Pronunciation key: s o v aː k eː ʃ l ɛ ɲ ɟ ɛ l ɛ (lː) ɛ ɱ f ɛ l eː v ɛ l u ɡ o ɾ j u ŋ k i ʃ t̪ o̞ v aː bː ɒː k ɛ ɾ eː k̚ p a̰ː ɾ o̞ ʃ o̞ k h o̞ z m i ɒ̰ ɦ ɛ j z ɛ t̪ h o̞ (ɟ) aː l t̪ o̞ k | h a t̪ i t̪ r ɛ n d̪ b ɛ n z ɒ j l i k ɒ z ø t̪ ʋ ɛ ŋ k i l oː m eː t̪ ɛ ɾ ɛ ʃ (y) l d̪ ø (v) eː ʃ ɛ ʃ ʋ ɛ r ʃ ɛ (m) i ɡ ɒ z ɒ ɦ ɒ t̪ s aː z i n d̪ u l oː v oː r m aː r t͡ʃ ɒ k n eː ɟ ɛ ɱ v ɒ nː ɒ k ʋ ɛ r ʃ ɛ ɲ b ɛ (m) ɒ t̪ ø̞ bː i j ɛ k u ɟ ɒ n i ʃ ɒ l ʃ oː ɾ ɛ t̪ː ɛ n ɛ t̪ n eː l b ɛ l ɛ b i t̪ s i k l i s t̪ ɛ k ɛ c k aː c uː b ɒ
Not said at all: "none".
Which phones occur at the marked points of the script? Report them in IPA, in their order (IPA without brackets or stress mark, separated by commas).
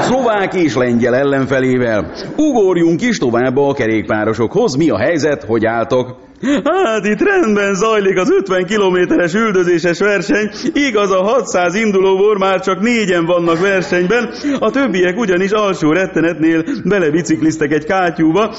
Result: lː, ɟ, y, z, ɲ, n